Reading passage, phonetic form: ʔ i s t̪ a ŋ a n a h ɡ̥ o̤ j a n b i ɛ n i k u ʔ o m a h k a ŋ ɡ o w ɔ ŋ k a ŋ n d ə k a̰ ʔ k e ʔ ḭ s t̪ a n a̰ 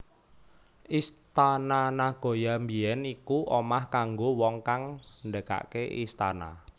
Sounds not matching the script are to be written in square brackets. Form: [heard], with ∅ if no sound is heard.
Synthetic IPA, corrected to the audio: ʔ i s t̪ a [n] a n a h ɡ̥ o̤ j a [m] b i ɛ n i k u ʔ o m a h k a ŋ ɡ o w ɔ ŋ k a ŋ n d ə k a̰ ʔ k e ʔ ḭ s t̪ a n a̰